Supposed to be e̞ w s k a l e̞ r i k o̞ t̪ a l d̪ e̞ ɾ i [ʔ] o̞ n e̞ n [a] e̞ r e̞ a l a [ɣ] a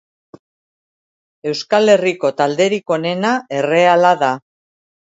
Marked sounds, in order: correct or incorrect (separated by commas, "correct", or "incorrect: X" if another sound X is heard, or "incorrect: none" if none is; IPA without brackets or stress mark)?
incorrect: k, correct, incorrect: ð